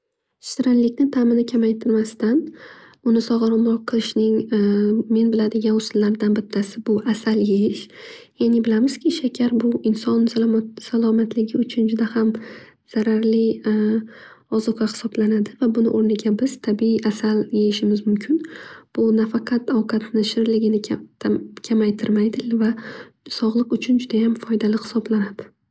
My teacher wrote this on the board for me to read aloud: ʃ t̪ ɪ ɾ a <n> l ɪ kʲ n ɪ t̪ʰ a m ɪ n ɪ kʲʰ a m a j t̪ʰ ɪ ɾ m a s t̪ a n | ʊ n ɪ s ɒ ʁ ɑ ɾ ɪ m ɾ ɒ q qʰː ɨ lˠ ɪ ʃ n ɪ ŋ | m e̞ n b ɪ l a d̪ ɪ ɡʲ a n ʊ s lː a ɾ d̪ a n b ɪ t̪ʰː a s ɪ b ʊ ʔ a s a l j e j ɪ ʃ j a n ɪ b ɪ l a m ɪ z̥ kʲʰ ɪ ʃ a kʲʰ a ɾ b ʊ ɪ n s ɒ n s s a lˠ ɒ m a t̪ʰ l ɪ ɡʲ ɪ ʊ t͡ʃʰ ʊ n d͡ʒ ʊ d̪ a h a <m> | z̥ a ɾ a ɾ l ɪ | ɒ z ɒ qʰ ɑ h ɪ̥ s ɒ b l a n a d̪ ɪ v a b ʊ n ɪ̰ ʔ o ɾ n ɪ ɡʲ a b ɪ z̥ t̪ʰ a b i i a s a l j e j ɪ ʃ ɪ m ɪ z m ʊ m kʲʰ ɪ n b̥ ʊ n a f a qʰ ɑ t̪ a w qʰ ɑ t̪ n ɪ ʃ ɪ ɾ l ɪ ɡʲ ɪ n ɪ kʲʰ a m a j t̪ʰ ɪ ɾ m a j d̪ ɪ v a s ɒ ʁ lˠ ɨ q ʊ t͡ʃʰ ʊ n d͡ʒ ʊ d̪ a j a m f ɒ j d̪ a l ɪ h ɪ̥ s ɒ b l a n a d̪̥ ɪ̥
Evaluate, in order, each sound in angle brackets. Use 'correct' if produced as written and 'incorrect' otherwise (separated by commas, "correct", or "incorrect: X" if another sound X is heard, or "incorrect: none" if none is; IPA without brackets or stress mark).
correct, correct